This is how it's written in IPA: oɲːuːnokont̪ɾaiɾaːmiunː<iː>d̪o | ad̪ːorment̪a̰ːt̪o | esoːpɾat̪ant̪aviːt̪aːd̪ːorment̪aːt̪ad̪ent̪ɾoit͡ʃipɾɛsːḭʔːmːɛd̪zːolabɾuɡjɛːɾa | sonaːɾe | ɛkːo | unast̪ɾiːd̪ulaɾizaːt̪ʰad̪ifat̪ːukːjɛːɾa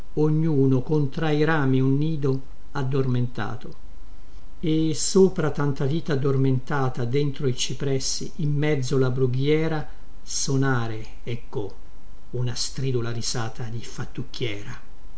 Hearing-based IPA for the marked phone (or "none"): iː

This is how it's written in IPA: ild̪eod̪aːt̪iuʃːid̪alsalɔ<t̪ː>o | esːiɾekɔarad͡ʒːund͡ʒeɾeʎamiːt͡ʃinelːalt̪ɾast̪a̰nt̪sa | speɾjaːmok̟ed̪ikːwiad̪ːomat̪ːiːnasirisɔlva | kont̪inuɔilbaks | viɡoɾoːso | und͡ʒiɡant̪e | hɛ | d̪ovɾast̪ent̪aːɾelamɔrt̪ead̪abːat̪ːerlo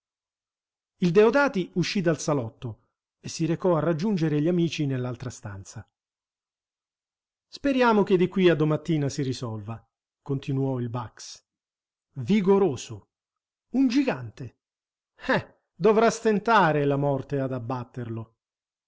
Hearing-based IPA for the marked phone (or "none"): t̪ː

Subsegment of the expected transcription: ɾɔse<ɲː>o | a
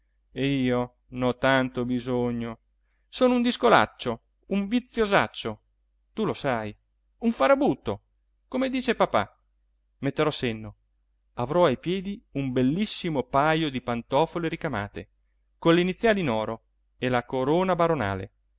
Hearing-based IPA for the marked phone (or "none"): nː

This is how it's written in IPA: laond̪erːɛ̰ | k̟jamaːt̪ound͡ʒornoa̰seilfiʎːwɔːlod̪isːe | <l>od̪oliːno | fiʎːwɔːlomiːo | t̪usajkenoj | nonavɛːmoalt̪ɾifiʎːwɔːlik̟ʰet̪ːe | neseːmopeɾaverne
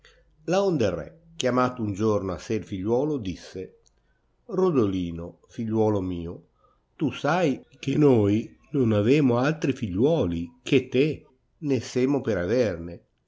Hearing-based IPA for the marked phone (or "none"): r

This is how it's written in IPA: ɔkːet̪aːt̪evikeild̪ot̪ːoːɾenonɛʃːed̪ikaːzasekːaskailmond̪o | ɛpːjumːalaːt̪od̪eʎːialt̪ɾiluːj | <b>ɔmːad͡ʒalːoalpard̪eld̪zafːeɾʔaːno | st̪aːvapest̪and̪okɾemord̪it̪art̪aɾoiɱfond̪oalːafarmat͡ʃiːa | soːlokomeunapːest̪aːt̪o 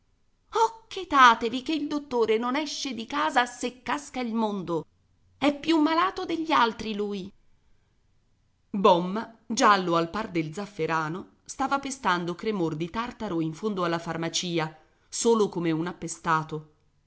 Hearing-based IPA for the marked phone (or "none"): b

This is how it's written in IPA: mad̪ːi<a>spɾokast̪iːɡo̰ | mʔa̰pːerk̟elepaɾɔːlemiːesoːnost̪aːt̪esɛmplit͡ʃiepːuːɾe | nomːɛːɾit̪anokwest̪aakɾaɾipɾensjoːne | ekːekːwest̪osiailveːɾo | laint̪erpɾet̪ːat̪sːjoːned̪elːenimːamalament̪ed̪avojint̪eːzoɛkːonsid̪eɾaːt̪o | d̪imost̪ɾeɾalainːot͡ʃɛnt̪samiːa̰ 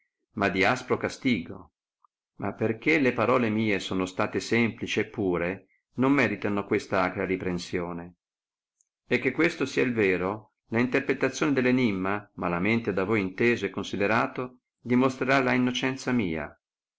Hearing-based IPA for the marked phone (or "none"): a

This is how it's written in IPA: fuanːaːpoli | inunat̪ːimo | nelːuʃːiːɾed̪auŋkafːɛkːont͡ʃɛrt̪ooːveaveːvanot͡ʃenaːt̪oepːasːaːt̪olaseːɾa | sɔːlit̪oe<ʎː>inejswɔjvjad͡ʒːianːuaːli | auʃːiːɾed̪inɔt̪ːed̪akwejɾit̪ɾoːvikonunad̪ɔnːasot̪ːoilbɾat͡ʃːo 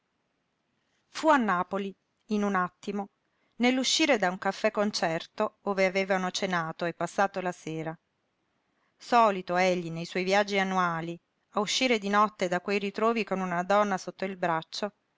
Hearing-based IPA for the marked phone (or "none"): ʎː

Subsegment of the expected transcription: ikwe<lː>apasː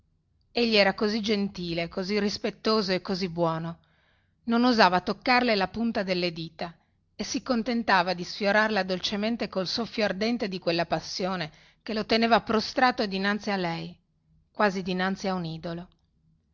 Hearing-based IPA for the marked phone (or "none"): lː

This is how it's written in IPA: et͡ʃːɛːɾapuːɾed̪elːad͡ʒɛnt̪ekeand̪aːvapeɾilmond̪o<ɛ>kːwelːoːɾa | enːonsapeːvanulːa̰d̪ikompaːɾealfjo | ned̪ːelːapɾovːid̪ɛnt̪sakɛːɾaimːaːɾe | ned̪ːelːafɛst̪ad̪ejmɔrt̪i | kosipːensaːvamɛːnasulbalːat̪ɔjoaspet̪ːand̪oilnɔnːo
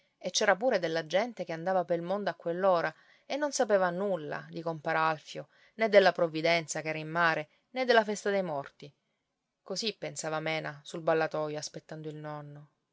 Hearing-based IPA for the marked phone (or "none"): a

